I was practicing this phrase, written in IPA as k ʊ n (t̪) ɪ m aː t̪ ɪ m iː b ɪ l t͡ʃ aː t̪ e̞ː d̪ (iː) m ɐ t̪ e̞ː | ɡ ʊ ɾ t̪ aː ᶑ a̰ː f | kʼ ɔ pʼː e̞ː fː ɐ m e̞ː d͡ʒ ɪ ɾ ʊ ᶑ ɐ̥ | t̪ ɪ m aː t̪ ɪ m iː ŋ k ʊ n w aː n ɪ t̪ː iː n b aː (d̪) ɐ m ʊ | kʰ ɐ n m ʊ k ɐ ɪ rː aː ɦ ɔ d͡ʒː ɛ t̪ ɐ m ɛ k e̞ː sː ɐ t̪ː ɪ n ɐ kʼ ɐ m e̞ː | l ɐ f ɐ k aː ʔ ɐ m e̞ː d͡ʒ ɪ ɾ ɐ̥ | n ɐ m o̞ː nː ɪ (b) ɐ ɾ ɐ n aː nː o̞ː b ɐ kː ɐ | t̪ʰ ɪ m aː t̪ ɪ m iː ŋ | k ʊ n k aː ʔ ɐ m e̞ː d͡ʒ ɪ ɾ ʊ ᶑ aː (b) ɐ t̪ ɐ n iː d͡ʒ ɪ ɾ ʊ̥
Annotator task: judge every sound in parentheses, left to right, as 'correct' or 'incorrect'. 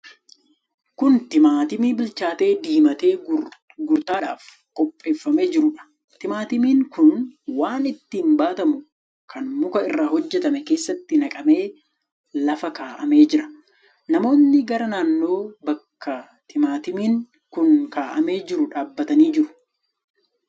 correct, correct, incorrect, incorrect, incorrect

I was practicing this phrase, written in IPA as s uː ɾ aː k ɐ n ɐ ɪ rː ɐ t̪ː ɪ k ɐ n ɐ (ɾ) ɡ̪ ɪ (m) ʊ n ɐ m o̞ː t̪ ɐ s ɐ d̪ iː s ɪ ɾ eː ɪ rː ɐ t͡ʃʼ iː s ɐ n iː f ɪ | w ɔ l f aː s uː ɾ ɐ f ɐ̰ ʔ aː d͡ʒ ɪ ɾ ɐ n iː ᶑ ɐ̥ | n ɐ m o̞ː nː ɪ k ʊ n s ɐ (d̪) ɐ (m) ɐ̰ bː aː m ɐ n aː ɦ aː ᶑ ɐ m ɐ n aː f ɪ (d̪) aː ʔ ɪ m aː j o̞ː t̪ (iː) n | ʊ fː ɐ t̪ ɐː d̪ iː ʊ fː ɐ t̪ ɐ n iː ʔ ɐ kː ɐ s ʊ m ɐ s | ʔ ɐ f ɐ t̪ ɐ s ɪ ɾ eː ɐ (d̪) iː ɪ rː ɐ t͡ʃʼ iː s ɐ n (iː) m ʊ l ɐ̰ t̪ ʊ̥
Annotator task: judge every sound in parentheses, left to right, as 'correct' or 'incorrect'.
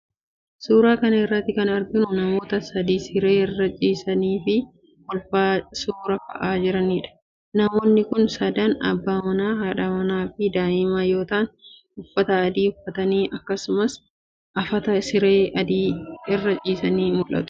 correct, incorrect, correct, incorrect, correct, incorrect, correct, correct

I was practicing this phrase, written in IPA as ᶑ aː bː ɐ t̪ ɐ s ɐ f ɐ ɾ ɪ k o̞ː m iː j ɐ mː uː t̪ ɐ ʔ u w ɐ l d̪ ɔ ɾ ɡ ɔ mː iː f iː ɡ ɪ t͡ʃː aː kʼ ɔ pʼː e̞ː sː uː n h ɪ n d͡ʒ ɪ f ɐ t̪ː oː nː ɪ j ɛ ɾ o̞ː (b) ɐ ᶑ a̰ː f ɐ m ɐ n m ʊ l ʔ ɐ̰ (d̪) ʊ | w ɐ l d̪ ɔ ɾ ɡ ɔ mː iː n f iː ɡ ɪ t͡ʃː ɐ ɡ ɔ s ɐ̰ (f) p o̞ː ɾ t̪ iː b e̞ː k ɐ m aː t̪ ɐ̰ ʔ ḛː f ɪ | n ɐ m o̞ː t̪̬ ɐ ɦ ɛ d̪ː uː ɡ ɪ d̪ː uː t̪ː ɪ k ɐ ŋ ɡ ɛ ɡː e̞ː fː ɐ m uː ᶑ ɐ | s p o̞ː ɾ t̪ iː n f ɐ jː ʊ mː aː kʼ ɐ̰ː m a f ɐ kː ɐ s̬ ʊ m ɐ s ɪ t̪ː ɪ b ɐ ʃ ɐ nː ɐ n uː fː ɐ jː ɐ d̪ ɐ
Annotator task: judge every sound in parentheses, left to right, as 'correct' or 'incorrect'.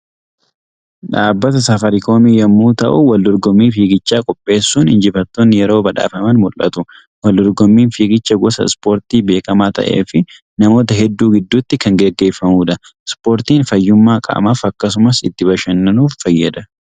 correct, incorrect, incorrect

